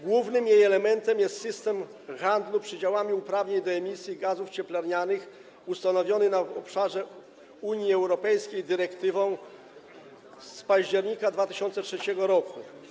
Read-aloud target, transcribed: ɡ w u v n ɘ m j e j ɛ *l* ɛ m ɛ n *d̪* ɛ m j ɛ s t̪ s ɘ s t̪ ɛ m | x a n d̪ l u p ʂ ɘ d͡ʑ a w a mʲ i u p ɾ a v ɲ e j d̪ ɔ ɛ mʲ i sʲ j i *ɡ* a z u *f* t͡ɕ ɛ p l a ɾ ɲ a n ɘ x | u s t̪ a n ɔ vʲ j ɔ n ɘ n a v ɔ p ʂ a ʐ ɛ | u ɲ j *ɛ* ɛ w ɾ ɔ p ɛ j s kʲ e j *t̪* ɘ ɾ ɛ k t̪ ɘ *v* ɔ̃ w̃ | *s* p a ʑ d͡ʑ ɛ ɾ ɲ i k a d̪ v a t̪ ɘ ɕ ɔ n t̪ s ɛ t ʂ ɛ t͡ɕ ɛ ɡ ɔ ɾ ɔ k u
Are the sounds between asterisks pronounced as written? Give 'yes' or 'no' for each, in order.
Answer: yes, no, yes, yes, no, no, yes, yes

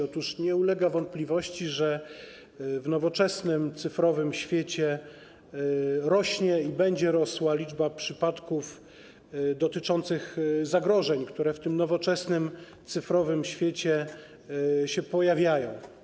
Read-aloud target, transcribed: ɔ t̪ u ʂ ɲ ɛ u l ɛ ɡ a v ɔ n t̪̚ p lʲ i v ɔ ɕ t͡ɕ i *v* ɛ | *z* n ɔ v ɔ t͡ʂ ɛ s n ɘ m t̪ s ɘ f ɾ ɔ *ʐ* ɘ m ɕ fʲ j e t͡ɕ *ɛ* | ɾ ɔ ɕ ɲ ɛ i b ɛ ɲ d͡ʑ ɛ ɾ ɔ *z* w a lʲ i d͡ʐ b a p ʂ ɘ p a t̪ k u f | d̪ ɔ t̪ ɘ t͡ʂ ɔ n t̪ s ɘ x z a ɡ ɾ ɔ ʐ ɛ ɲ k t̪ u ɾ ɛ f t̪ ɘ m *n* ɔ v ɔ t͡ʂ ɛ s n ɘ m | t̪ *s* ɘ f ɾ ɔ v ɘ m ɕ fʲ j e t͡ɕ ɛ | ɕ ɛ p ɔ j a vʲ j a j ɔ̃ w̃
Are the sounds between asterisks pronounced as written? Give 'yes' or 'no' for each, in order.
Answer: no, no, no, yes, no, yes, yes

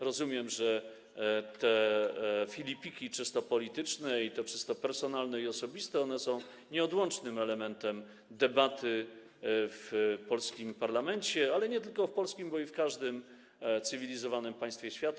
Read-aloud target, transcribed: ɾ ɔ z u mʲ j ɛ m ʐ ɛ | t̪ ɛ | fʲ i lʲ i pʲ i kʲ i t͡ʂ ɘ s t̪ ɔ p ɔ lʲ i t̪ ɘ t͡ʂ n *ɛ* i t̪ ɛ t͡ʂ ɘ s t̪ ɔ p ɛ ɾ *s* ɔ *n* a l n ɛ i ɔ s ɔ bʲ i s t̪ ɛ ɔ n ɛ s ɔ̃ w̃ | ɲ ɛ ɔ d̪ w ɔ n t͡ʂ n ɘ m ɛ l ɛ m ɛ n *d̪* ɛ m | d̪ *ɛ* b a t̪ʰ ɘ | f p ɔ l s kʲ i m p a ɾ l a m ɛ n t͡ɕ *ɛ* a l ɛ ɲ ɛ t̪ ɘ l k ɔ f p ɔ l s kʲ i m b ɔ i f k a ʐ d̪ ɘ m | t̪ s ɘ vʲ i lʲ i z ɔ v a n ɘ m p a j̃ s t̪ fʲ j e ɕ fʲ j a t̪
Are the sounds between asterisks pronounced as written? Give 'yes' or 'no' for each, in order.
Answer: yes, yes, yes, no, yes, yes

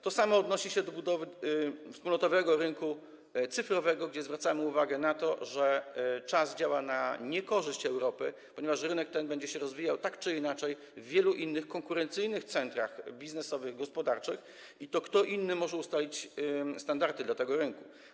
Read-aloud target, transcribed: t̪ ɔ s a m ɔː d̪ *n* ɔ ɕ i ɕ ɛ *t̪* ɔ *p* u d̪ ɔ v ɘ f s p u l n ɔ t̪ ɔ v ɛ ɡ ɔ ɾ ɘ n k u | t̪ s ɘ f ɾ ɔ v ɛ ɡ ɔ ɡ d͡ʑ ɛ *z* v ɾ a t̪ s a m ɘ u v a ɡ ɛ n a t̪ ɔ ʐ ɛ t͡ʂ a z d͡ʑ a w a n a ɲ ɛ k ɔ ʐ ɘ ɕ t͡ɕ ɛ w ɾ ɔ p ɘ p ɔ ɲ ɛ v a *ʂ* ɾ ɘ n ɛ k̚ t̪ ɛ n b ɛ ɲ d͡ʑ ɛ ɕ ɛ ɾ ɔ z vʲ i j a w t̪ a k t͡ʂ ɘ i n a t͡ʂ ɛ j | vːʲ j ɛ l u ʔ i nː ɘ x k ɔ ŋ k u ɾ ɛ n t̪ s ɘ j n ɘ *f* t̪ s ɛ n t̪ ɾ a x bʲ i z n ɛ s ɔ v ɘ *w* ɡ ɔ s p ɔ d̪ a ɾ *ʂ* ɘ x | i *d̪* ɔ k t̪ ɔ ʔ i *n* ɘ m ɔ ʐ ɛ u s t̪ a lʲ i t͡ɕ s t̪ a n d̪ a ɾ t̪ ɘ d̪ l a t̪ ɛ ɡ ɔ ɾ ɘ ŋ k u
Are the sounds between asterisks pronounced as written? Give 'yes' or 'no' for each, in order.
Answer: yes, no, no, yes, yes, no, no, no, no, no

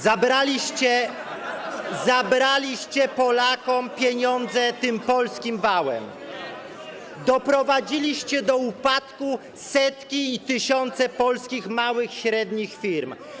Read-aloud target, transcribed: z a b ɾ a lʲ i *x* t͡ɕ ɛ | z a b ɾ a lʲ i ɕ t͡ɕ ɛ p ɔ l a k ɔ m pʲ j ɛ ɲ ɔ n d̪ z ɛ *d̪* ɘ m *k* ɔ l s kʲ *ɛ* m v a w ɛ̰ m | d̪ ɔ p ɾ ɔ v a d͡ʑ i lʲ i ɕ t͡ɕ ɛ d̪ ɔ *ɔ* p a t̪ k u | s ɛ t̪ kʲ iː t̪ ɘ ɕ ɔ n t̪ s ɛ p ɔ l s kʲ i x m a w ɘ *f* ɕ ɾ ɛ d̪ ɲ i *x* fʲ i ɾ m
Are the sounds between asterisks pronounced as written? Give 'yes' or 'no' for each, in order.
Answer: no, no, no, no, no, no, yes

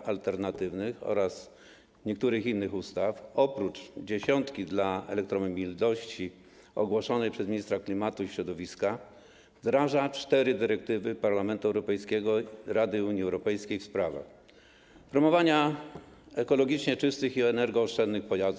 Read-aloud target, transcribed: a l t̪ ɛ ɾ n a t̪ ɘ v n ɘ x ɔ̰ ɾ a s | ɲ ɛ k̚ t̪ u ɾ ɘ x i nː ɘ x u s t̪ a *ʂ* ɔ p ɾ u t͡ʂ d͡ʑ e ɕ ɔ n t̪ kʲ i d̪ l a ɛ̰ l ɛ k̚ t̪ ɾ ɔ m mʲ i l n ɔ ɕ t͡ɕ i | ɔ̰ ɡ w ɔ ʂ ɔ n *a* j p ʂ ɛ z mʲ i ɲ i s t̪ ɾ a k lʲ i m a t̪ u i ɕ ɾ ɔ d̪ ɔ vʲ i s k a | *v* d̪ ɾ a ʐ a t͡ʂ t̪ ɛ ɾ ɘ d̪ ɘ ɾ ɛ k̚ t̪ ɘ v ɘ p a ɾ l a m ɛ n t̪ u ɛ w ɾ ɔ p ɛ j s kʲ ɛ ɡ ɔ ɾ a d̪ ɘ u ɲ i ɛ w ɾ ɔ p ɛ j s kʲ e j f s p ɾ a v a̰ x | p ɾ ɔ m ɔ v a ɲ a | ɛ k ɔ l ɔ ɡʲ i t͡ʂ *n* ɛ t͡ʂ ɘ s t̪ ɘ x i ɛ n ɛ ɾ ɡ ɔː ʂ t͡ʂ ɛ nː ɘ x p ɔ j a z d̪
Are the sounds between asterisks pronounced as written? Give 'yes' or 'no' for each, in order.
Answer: no, no, yes, no

